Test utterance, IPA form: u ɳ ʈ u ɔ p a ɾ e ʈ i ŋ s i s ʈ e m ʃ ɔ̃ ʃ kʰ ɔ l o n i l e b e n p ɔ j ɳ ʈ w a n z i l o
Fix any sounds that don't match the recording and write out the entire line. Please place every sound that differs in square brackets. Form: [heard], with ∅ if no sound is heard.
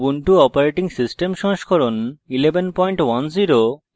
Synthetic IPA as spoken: u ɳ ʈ u ɔ p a ɾ e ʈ i ŋ s i s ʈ e m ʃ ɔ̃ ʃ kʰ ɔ [ɾ] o n i l e b e n p ɔ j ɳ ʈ w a n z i [ɾ] o

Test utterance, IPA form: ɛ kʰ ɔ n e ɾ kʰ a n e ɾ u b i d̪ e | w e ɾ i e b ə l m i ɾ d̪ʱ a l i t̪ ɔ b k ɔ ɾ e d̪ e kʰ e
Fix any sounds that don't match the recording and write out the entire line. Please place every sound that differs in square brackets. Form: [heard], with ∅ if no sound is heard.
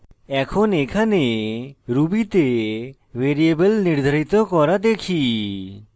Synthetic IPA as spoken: ɛ kʰ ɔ n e [∅] kʰ a n e ɾ u b i [t̪] e | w e ɾ i e b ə l [n] i ɾ d̪ʱ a [ɾ] i t̪ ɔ [∅] k ɔ ɾ [a] d̪ e kʰ [i]

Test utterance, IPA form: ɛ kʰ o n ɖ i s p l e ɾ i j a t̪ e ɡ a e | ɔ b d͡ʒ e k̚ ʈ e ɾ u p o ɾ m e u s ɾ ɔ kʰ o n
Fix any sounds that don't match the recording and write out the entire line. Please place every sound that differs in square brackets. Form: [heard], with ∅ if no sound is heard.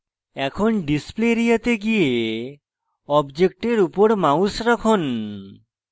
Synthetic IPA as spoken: ɛ kʰ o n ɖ i s p l e ɾ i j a t̪ e ɡ [i] e | ɔ b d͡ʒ e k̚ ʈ e ɾ u p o ɾ m [a] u s ɾ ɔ kʰ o n

